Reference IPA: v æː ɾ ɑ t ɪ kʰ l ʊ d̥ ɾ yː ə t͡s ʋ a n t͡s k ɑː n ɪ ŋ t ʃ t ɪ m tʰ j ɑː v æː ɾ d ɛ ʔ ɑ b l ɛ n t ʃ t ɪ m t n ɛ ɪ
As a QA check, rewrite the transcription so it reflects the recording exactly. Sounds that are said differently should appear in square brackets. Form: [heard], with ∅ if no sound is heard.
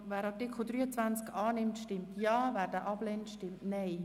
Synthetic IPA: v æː ɾ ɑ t ɪ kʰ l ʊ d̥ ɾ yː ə t͡s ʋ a n t͡s k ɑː n ɪ [m] t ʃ t ɪ m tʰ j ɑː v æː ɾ d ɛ ʔ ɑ b l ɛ n t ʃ t ɪ m t n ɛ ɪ